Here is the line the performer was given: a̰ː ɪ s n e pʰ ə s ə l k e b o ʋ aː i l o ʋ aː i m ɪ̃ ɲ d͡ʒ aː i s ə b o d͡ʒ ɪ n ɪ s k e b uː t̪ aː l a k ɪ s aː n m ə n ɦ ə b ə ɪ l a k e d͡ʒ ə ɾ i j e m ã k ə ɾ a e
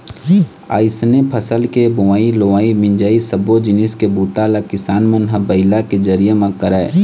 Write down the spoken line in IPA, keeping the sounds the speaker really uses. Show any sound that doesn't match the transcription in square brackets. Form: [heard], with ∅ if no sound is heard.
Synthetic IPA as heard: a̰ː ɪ s n e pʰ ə s ə l k e b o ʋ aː i l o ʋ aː i m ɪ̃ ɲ d͡ʒ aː i s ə b o d͡ʒ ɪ n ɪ s k e b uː t̪ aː l a k ɪ s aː n m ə n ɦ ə b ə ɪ l a k e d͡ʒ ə ɾ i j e m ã k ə ɾ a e